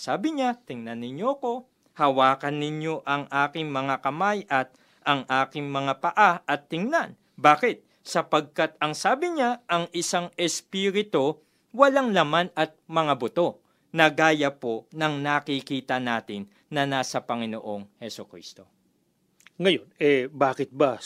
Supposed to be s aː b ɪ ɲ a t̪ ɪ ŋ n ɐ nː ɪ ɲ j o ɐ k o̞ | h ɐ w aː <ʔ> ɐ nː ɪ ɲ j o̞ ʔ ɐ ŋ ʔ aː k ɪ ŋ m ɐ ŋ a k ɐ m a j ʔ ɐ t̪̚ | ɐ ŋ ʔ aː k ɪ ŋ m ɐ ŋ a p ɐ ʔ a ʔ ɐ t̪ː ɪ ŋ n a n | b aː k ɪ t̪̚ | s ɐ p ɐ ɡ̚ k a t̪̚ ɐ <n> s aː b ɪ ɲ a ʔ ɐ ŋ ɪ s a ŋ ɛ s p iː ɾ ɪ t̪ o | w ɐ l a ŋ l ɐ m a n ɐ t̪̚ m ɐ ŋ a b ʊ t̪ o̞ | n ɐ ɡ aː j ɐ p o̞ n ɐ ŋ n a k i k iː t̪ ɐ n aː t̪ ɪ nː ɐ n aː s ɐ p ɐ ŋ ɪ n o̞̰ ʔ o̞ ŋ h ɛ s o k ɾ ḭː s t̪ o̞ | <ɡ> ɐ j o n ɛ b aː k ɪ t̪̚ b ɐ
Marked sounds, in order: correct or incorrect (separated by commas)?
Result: incorrect, incorrect, incorrect